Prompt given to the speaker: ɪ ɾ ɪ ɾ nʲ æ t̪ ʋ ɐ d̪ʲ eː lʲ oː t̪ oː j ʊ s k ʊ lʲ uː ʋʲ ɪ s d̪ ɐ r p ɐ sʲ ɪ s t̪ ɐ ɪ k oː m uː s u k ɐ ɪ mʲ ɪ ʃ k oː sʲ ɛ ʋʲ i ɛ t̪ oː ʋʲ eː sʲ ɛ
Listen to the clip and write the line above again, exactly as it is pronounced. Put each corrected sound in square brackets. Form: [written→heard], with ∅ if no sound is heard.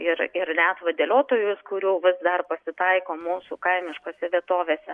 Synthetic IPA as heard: ɪ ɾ ɪ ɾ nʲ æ t̪ ʋ ɐ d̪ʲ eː lʲ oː t̪ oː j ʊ s k ʊ [lʲ→ɾʲ] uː ʋʲ ɪ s d̪ ɐ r p ɐ sʲ ɪ [s→∅] t̪ ɐ ɪ k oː m uː s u k ɐ ɪ mʲ ɪ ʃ k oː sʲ ɛ ʋʲ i ɛ t̪ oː ʋʲ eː sʲ ɛ

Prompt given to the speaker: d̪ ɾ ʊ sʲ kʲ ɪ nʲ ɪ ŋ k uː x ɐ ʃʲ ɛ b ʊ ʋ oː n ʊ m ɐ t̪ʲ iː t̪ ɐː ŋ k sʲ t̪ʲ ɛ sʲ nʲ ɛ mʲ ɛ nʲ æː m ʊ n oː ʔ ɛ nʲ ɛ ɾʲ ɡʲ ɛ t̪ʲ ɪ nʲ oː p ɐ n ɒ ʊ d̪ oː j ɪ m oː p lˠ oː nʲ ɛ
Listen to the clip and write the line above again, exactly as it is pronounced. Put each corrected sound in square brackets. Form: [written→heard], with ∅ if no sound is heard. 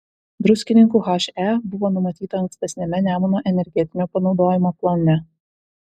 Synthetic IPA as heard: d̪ ɾ ʊ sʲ kʲ ɪ nʲ ɪ ŋ k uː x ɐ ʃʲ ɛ b ʊ ʋ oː n ʊ m ɐ t̪ʲ iː t̪ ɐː ŋ k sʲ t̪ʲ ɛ sʲ nʲ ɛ mʲ ɛ nʲ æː m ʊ n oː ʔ ɛ nʲ ɛ ɾʲ ɡʲ ɛ t̪ʲ ɪ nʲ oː p ɐ n ɒ ʊ d̪ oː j ɪ m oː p lˠ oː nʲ ɛ

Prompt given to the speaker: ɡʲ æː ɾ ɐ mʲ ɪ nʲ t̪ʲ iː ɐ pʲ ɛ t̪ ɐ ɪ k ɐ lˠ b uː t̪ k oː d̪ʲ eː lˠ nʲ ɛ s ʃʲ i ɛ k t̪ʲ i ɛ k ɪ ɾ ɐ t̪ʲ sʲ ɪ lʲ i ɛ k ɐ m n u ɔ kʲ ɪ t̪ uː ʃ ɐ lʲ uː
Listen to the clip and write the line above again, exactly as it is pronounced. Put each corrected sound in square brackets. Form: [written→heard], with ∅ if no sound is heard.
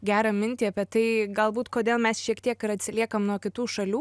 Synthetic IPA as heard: ɡʲ æː ɾ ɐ mʲ ɪ nʲ t̪ʲ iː ɐ pʲ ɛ t̪ ɐ ɪ [k→ɡ] ɐ lˠ b uː t̪ k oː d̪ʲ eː lˠ [nʲ→mʲ] ɛ s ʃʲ i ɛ k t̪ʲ i ɛ k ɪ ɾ ɐ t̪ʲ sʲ ɪ lʲ i ɛ k ɐ m n u ɔ kʲ ɪ t̪ uː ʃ ɐ lʲ uː

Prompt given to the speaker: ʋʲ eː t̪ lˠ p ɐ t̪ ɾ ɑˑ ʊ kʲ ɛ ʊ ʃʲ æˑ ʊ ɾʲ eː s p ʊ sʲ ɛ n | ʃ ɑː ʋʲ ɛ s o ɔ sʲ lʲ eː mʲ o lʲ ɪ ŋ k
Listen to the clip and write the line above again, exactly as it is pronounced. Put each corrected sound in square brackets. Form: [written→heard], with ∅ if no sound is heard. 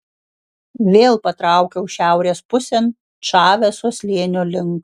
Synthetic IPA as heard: ʋʲ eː [t̪→∅] lˠ p ɐ t̪ ɾ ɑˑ ʊ kʲ ɛ ʊ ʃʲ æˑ ʊ ɾʲ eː s p ʊ sʲ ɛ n | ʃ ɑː ʋʲ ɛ s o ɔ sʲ lʲ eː [mʲ→nʲ] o lʲ ɪ ŋ k

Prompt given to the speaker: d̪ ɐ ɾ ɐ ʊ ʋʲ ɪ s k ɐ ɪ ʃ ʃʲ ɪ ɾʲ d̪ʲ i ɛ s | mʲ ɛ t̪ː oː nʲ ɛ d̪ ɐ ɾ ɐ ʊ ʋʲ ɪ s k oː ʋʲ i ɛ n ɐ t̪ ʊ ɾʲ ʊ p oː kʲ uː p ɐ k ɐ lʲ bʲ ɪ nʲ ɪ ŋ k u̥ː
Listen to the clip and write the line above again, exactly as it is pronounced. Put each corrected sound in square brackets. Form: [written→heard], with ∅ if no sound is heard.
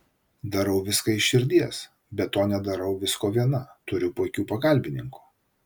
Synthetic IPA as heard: d̪ ɐ ɾ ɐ ʊ ʋʲ ɪ s k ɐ ɪ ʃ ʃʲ ɪ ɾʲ d̪ʲ i ɛ s | [mʲ→bʲ] ɛ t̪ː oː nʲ ɛ d̪ ɐ ɾ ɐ ʊ ʋʲ ɪ s k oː ʋʲ i ɛ n ɐ t̪ ʊ ɾʲ ʊ p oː kʲ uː p ɐ k ɐ lʲ bʲ ɪ nʲ ɪ ŋ k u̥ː

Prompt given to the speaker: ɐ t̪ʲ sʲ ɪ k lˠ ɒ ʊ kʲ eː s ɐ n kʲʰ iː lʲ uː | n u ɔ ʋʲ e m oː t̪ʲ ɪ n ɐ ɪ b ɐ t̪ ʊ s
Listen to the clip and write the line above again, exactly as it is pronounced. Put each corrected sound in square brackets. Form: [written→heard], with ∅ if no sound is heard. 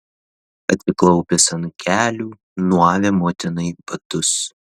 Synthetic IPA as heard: ɐ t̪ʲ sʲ ɪ k lˠ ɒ ʊ [kʲ→pʲ] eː s ɐ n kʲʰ [iː→æː] lʲ uː | n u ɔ ʋʲ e m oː t̪ʲ ɪ n ɐ ɪ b ɐ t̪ ʊ s

